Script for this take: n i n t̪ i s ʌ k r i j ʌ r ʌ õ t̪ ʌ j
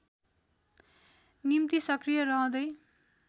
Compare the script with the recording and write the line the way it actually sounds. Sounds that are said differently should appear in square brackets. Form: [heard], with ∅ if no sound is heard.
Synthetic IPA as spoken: n i [m] t̪ i s ʌ k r i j ʌ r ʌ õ [d̪] ʌ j